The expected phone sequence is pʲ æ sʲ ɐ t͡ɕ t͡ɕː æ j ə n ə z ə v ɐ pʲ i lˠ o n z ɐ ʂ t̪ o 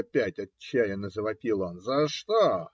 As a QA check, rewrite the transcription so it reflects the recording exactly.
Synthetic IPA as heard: pʲ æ tʲ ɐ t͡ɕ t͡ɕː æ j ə n ə z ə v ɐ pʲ i lˠ o n z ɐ ʂ t̪ o